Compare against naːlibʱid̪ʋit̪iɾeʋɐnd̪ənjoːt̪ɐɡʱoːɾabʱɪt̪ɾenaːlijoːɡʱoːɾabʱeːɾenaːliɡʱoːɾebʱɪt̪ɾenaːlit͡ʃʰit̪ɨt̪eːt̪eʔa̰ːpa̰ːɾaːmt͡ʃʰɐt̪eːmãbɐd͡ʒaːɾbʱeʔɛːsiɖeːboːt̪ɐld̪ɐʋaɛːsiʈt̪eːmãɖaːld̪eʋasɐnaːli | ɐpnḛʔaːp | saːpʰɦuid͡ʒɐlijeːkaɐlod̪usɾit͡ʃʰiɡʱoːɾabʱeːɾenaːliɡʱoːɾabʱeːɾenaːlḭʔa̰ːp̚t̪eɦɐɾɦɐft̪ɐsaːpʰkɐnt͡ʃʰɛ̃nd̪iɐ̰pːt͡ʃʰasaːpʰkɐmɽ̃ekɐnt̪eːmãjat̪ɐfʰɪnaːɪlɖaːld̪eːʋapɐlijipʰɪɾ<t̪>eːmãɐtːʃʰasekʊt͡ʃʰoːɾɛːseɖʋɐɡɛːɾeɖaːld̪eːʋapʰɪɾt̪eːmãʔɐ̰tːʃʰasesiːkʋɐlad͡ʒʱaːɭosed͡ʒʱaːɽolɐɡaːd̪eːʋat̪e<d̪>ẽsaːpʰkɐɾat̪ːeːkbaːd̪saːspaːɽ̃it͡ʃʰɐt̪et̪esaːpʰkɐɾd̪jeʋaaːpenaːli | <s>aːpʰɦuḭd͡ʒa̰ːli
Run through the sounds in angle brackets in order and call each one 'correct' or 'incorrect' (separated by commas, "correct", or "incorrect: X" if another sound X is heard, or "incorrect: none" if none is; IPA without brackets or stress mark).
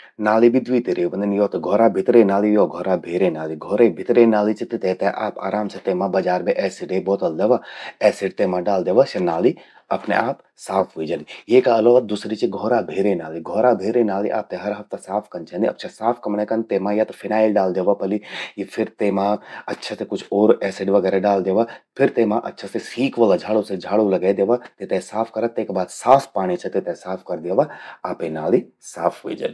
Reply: correct, incorrect: t̪, correct